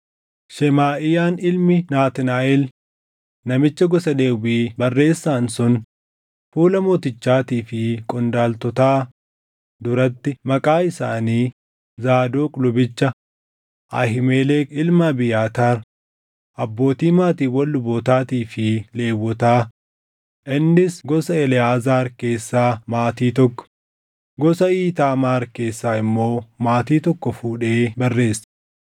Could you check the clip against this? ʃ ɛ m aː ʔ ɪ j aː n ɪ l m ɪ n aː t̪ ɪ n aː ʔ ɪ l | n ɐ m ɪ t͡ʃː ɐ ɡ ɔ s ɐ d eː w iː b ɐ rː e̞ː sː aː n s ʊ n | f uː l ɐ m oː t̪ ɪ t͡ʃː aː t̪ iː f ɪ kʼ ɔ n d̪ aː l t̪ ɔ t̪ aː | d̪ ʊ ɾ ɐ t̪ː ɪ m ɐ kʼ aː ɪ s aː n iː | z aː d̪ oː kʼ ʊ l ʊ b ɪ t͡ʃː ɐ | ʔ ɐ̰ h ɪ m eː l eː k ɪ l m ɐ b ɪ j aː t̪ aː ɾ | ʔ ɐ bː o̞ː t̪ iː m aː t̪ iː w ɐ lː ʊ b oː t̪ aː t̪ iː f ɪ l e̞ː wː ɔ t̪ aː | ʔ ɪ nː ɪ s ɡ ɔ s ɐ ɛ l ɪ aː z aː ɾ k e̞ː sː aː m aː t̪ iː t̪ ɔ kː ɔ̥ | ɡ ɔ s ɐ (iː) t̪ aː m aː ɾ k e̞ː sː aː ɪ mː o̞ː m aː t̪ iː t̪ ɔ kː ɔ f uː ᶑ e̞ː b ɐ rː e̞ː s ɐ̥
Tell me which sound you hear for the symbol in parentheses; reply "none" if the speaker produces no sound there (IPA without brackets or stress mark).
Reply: iː